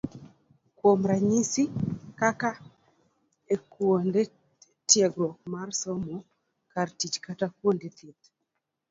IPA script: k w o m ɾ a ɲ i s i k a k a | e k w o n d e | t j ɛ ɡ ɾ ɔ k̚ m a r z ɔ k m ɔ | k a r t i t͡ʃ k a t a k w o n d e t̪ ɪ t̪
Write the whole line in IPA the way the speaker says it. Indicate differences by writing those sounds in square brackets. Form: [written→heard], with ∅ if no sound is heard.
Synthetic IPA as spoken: k w o m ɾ a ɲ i s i k a k a | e k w o n d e | t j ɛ ɡ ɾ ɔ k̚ m a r [z→s] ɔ [k→∅] m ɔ | k a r t i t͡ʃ k a t a k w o n d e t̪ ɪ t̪